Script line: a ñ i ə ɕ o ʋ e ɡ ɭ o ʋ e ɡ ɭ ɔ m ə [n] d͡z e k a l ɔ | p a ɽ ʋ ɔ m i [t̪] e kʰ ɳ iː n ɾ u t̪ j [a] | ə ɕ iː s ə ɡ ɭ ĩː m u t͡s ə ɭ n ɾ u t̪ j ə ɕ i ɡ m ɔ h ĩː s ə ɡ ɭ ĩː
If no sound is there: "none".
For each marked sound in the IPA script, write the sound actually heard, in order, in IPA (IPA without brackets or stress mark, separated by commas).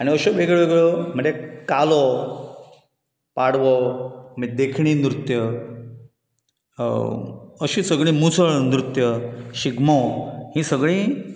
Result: ɳ, d̪, ə